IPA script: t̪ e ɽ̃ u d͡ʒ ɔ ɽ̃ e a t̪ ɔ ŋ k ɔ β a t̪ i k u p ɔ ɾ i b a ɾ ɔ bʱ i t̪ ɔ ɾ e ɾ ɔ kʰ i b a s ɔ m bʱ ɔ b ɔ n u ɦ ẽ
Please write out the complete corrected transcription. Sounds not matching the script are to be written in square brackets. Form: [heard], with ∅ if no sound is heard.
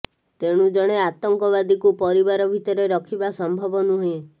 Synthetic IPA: t̪ e ɽ̃ u d͡ʒ ɔ ɽ̃ e a t̪ ɔ ŋ k ɔ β a [d̪] i k u p ɔ ɾ i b a ɾ ɔ bʱ i t̪ ɔ ɾ e ɾ ɔ kʰ i b a s ɔ m bʱ ɔ b ɔ n u ɦ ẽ

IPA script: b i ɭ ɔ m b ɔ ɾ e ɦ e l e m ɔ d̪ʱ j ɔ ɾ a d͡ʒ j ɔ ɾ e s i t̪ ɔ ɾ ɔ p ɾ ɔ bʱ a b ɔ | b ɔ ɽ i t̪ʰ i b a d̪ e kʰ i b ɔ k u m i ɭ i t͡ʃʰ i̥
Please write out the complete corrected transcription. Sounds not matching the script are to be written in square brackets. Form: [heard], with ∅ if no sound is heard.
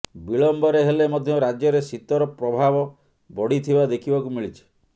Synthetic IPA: b i ɭ ɔ m b ɔ ɾ e ɦ e l e m ɔ d̪ʱ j ɔ ɾ a d͡ʒ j ɔ ɾ e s i t̪ ɔ ɾ ɔ p ɾ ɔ bʱ a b ɔ | b ɔ ɽ i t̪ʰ i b a d̪ e kʰ i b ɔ k u m i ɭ i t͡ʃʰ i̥

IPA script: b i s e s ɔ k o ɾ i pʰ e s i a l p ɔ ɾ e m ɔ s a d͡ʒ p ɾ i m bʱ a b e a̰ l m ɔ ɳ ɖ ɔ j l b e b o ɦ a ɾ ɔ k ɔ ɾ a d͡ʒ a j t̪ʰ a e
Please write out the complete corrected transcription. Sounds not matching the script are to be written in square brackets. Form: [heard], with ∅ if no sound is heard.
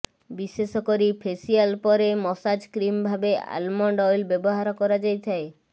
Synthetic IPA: b i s e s ɔ k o ɾ i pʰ e s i a l p ɔ ɾ e m ɔ s a d͡ʒ [k] ɾ i m bʱ a b e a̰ l m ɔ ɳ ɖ ɔ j l b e b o ɦ a ɾ ɔ k ɔ ɾ a d͡ʒ a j t̪ʰ a e

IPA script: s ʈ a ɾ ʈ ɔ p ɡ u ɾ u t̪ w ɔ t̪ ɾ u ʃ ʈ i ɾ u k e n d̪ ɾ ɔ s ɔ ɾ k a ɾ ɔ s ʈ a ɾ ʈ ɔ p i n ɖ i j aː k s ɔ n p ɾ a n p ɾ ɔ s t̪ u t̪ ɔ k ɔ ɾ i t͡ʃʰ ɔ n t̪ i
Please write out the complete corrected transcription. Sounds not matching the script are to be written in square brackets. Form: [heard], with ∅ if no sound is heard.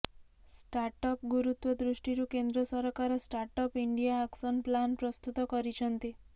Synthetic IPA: s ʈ a ɾ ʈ ɔ p ɡ u ɾ u t̪ w ɔ [d̪] ɾ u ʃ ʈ i ɾ u k e n d̪ ɾ ɔ s ɔ ɾ k a ɾ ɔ s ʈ a ɾ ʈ ɔ p i [ɳ] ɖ i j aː k s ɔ n p [l] a n p ɾ ɔ s t̪ u t̪ ɔ k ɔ ɾ i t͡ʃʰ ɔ n t̪ i

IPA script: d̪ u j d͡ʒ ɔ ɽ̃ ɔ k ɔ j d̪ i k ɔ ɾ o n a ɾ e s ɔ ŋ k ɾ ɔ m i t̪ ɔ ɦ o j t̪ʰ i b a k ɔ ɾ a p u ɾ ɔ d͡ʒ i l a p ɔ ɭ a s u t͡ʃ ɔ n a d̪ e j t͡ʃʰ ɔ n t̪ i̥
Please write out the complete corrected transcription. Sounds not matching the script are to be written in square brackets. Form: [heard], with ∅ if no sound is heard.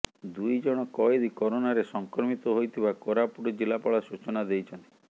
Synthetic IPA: d̪ u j d͡ʒ ɔ ɽ̃ ɔ k ɔ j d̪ i k ɔ ɾ o n a ɾ e s ɔ ŋ k ɾ ɔ m i t̪ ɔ ɦ o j t̪ʰ i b a k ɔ ɾ a p u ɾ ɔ d͡ʒ i l a p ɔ ɭ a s u t͡ʃ ɔ n a d̪ e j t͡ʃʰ ɔ n t̪ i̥

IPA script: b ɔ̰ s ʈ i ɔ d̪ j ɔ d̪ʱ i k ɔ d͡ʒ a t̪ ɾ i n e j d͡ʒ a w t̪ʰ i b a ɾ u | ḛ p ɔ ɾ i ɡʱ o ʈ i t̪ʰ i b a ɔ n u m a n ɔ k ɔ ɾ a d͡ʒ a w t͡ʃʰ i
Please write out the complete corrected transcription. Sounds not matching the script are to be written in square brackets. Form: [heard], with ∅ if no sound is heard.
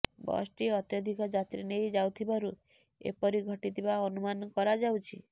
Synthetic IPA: b ɔ̰ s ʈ i ɔ [t̪] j ɔ d̪ʱ i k ɔ d͡ʒ a t̪ ɾ i n e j d͡ʒ a w t̪ʰ i b a ɾ u | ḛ p ɔ ɾ i ɡʱ [ɔ] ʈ i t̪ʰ i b a ɔ n u m a n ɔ k ɔ ɾ a d͡ʒ a w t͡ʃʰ i

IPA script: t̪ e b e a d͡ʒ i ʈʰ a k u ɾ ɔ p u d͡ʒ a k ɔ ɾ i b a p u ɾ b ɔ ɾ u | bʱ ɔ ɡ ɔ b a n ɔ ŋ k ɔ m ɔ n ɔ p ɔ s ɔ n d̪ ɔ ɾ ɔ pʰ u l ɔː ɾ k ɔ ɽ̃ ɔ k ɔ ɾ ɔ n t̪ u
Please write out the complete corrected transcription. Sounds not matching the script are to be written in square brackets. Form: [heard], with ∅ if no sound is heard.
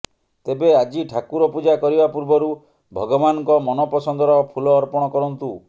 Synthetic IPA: t̪ e b e a d͡ʒ i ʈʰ a k u ɾ ɔ p u d͡ʒ a k ɔ ɾ i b a p u ɾ b ɔ ɾ u | bʱ ɔ ɡ ɔ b a n ɔ ŋ k ɔ m ɔ n ɔ p ɔ s ɔ n d̪ ɔ ɾ ɔ pʰ u l ɔː ɾ [p] ɔ ɽ̃ ɔ k ɔ ɾ ɔ n t̪ u

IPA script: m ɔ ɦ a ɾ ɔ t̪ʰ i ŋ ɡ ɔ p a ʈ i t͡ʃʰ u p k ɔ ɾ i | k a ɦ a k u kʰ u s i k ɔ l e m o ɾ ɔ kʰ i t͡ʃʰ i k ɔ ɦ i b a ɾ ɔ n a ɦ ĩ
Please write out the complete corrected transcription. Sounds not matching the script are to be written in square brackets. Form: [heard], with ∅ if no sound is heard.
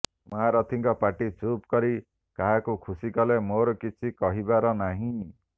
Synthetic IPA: m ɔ ɦ a ɾ ɔ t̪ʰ i ŋ [k] ɔ p a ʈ i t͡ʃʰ u p k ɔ ɾ i | k a ɦ a k u kʰ u s i k ɔ l e m o ɾ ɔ [k] i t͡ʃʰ i k ɔ ɦ i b a ɾ ɔ n a ɦ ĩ

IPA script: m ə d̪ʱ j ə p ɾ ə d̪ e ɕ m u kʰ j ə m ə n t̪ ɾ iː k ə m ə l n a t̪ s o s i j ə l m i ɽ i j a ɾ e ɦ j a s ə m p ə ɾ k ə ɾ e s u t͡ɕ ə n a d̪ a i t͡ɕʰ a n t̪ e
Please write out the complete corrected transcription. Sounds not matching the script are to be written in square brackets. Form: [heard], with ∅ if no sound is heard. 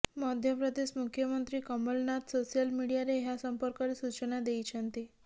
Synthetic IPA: m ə d̪ʱ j ə p ɾ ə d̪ e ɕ m u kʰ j ə m ə n t̪ ɾ iː k ə m ə l n a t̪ s o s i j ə l m i ɽ i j a ɾ e ɦ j a s ə m p ə ɾ k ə ɾ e s u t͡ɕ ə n a d̪ [e] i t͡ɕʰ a n t̪ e

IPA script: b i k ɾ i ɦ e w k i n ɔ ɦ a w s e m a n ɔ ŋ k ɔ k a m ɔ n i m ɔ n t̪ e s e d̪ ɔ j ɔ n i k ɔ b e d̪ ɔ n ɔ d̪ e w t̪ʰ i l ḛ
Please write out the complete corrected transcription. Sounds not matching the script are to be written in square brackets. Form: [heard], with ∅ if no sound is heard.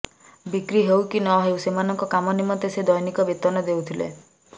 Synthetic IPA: b i k ɾ i ɦ e w k i n ɔ ɦ [e] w s e m a n ɔ ŋ k ɔ k a m ɔ n i m ɔ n t̪ e s e d̪ ɔ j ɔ n i k ɔ b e [t̪] ɔ n ɔ d̪ e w t̪ʰ i l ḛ

